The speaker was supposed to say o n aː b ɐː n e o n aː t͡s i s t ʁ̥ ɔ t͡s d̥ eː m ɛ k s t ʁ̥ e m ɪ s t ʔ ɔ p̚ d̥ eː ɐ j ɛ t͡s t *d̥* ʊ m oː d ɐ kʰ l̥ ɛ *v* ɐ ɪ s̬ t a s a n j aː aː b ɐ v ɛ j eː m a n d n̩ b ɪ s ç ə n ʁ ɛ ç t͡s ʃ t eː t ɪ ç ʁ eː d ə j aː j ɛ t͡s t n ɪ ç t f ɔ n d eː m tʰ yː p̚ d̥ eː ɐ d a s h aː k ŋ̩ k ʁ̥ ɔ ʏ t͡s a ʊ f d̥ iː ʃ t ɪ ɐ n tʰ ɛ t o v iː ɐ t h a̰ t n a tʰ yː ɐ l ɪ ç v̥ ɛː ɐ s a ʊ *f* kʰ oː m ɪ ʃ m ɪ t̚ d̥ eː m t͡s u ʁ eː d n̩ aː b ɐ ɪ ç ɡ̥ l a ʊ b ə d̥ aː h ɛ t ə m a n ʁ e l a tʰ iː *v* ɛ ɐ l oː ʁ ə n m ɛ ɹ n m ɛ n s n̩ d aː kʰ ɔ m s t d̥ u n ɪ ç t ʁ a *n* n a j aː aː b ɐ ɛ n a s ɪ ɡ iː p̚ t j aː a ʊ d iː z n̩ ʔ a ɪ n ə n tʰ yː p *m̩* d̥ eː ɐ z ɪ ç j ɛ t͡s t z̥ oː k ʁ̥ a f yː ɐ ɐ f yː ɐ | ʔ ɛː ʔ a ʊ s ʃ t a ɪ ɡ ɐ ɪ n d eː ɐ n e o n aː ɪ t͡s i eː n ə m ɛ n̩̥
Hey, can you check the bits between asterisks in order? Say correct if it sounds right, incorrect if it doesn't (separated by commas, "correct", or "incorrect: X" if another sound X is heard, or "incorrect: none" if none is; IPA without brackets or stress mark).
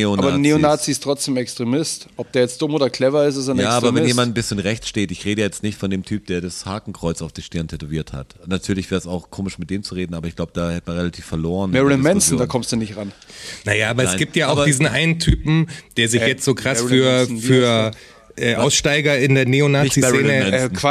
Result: correct, correct, incorrect: x, incorrect: f, correct, correct